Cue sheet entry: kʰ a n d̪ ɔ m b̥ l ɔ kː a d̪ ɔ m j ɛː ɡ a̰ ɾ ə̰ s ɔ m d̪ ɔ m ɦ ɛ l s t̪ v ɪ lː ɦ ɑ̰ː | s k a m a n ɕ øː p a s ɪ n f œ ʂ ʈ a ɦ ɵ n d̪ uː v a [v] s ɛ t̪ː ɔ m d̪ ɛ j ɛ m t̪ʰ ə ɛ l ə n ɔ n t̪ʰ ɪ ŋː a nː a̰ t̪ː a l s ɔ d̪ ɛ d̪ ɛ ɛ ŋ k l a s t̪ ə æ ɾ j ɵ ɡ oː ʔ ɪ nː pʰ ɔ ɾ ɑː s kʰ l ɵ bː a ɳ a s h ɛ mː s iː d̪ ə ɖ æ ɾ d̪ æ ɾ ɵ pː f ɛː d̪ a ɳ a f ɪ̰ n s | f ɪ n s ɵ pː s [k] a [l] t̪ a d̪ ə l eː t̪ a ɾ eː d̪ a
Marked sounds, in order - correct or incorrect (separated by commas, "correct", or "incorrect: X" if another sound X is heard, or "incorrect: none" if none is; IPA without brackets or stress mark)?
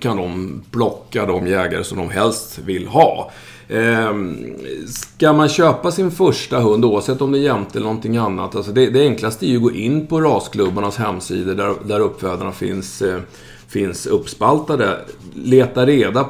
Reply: correct, incorrect: p, correct